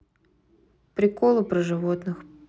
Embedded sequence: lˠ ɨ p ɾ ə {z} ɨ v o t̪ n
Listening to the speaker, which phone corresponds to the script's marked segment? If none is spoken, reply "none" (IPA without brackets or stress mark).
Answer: ʐ